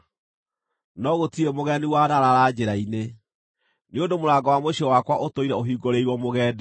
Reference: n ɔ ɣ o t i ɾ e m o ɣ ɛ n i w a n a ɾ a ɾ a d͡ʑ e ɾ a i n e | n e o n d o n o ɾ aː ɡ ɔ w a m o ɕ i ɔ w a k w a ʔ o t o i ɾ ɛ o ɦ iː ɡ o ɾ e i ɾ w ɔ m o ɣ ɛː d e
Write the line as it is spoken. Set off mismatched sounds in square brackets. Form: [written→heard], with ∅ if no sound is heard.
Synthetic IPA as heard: n ɔ ɣ o t i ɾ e m o ɣ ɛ n i w a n a ɾ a ɾ a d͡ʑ e ɾ a i n e | n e o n d o [n→m] o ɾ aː ɡ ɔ w a m o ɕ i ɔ w a k w a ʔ o t o i ɾ ɛ o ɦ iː ɡ o ɾ e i ɾ w ɔ m o ɣ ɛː d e